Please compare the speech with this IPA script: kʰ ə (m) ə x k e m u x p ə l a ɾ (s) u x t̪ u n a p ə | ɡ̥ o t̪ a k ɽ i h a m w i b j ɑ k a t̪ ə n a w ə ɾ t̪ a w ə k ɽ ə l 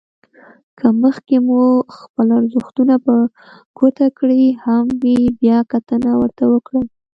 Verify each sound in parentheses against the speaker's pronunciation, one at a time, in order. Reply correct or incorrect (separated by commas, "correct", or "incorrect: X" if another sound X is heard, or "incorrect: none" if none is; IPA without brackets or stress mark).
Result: correct, incorrect: z